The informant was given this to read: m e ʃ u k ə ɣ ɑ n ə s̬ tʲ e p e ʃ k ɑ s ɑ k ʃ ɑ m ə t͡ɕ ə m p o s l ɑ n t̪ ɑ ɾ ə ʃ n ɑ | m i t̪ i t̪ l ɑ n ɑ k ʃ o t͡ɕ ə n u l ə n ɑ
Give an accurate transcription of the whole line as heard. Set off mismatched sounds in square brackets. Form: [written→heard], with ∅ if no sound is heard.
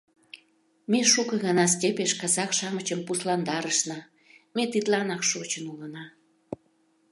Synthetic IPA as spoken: m e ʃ u k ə ɣ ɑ n [ə→ɑ] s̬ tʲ e p e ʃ k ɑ [s→z] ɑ k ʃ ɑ m ə t͡ɕ ə m p [o→u] s l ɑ n [t̪→d̪] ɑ ɾ ə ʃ n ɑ | m [i→e] t̪ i t̪ l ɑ n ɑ k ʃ o t͡ɕ ə n u l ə n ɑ